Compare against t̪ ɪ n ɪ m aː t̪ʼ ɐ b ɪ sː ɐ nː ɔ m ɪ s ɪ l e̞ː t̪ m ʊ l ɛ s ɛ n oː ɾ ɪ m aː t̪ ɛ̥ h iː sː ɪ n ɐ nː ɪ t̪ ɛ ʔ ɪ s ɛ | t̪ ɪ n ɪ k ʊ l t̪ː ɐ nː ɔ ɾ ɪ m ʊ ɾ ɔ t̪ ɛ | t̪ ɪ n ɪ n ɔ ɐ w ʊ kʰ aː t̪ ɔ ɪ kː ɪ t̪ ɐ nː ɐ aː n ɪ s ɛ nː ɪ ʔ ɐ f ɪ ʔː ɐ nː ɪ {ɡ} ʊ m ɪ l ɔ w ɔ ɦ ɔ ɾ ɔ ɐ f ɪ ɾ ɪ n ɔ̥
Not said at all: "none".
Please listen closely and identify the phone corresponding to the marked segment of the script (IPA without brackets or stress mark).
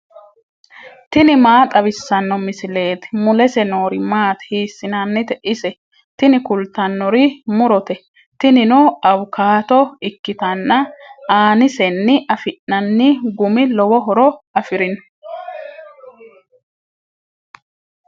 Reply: ɡ